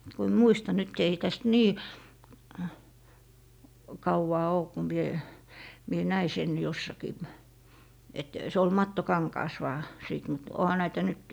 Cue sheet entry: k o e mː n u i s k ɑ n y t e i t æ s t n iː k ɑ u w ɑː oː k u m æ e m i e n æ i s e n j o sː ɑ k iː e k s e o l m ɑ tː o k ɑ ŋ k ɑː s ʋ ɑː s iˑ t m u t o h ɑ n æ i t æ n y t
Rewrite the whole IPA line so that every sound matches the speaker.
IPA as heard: k u e mː m u i s t ɑ n y t e i t æ s t n iː k ɑ u w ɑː oː k u m i e m i e n æ i s e n j o sː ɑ k iː e t s e o l m ɑ tː o k ɑ ŋ k ɑː s ʋ ɑː s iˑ t m u t o h ɑ n æ i t æ n y t